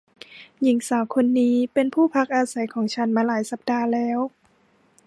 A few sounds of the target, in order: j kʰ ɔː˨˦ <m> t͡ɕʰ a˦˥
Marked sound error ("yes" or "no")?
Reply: yes